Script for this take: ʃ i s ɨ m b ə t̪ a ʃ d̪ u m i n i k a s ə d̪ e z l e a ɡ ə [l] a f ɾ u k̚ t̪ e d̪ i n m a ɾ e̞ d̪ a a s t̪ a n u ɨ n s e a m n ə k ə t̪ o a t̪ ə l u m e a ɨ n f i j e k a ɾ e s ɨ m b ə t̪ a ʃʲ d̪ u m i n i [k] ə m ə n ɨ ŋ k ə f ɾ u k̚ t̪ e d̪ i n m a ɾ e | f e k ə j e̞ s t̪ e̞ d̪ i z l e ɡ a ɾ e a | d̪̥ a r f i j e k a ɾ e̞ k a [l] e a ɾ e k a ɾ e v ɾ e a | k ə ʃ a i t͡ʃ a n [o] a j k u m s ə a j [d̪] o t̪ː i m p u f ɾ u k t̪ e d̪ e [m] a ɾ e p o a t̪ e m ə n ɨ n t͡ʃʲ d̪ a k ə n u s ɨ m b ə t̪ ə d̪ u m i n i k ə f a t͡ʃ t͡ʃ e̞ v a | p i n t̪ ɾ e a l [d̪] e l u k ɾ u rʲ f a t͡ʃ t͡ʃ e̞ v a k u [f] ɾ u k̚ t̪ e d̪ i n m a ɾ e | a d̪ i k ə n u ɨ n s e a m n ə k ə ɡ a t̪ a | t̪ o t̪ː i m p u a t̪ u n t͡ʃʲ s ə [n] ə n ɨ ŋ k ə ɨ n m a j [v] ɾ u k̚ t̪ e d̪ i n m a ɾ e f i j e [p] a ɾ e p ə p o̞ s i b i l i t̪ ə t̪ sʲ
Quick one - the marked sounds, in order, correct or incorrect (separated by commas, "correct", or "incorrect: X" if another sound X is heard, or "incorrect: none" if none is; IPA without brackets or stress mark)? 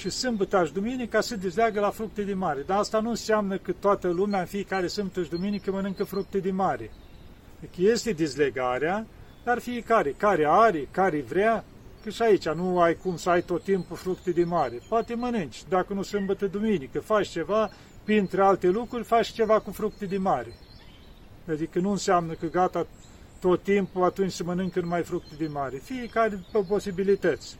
correct, correct, incorrect: ɾ, incorrect: u, incorrect: t̪, correct, incorrect: t̪, correct, incorrect: m, incorrect: f, incorrect: k